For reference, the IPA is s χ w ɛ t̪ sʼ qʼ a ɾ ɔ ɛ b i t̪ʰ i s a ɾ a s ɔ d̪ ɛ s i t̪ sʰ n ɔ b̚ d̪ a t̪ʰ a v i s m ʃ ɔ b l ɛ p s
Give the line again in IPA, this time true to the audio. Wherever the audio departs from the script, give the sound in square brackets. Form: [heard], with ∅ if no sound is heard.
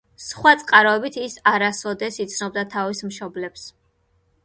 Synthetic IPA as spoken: s χ w [a] t̪ sʼ qʼ a ɾ ɔ ɛ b i t̪ʰ i s a ɾ a s ɔ d̪ ɛ s i t̪ sʰ n ɔ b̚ d̪ a t̪ʰ a v i s m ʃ ɔ b l ɛ p s